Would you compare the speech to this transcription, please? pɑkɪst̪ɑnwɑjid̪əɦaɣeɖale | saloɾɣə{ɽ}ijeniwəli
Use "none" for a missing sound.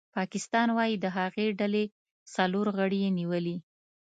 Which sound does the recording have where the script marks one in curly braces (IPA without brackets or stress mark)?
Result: ɽ